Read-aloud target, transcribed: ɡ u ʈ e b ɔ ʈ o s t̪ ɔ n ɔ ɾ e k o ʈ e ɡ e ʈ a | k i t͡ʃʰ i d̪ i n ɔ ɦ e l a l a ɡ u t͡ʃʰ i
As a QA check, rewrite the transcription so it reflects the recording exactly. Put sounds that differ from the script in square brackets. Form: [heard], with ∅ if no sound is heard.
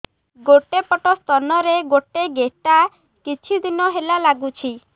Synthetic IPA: ɡ [o] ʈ e [p] ɔ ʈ [ɔ] s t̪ ɔ n ɔ ɾ e [ɡ] o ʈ e ɡ e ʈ a | k i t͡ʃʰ i d̪ i n ɔ ɦ e l a l a ɡ u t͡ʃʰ i